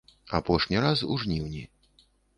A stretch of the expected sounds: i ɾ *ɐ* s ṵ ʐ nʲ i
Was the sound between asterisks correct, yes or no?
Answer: no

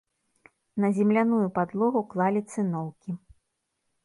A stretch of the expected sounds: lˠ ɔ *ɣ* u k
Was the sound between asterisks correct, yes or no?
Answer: yes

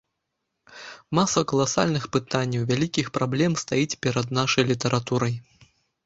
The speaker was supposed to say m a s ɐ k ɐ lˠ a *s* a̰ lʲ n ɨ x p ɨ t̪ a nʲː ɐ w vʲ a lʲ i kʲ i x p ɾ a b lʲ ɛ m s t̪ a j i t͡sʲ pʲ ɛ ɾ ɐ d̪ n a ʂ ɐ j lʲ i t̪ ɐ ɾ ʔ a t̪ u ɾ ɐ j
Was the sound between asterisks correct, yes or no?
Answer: yes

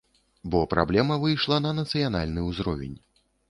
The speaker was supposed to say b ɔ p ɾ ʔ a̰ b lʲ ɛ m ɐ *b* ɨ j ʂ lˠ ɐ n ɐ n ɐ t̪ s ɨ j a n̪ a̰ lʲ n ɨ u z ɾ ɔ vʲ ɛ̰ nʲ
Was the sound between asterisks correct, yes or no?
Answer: no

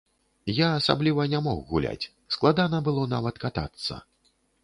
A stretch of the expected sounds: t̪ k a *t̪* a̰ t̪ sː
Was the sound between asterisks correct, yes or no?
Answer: yes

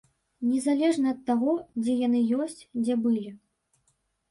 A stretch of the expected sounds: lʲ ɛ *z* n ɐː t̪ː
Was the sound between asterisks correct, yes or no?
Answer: no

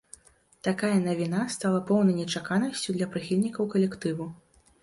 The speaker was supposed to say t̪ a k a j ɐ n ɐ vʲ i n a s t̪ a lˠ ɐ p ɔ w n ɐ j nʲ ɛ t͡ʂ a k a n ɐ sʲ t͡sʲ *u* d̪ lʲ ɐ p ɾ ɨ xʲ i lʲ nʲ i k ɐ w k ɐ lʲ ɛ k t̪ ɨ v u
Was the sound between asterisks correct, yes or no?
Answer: yes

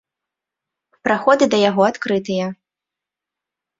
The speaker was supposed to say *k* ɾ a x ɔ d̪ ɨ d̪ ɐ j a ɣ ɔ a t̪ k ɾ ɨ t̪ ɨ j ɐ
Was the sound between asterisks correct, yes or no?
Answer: no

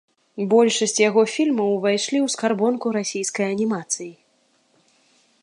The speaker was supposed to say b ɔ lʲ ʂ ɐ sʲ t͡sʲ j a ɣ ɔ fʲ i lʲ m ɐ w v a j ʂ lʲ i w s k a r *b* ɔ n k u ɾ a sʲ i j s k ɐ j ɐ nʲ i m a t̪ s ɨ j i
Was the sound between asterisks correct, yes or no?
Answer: yes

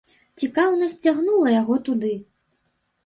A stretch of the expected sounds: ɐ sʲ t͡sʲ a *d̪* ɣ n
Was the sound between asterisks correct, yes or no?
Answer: no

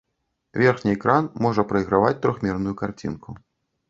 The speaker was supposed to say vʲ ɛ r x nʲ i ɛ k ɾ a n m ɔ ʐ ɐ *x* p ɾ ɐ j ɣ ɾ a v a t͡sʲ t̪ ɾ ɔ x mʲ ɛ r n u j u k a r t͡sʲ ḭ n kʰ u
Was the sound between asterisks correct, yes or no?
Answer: no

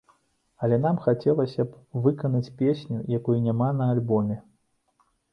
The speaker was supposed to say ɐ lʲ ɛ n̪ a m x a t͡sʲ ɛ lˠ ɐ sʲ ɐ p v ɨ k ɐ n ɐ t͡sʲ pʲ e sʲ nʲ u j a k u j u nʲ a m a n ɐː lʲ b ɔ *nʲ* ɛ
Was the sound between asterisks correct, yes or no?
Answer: no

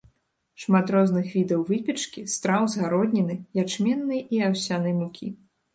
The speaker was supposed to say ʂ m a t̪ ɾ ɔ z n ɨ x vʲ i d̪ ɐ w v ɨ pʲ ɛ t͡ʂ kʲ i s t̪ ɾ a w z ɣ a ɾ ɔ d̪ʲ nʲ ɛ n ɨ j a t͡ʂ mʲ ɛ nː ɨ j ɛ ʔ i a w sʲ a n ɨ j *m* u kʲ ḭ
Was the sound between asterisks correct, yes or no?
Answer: yes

